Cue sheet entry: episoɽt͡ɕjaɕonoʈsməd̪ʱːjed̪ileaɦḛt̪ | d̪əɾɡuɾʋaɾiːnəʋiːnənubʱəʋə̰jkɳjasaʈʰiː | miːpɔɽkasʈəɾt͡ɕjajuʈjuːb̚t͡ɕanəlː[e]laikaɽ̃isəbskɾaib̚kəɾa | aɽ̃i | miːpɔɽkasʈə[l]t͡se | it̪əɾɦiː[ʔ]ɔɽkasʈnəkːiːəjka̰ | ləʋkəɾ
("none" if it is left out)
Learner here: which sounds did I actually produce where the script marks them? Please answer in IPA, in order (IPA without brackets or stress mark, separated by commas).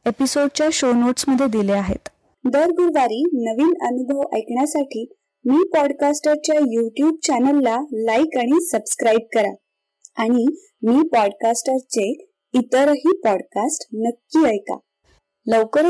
a, ɾ, p